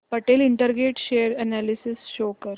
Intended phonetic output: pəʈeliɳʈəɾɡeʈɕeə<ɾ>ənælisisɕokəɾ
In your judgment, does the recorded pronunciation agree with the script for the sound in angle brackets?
yes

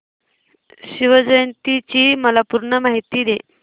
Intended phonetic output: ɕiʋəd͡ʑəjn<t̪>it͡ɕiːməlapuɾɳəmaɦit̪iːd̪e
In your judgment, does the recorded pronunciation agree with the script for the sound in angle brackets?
yes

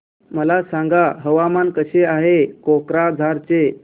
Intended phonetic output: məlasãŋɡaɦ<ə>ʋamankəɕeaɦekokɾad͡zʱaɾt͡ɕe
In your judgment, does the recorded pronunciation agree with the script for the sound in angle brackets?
yes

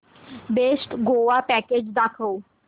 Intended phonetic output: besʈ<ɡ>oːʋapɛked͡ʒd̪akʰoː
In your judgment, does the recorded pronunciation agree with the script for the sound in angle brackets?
yes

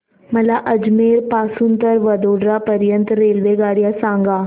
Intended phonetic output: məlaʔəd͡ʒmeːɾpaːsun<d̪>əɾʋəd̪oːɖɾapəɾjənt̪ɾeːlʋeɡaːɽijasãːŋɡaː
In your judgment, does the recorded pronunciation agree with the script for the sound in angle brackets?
no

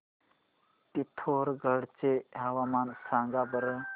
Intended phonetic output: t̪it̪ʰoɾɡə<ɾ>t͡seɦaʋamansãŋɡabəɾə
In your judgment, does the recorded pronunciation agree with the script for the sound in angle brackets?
no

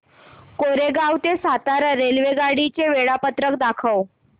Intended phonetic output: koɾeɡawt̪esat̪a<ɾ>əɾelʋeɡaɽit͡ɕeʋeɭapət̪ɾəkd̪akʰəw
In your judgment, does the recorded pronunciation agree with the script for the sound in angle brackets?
yes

